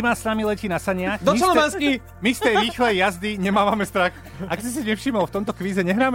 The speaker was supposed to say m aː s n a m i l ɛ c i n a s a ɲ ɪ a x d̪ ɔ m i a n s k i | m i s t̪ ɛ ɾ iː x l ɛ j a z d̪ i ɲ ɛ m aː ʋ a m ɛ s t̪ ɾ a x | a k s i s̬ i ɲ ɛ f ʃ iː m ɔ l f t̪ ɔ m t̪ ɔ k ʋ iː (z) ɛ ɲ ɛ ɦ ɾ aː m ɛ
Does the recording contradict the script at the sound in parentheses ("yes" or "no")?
no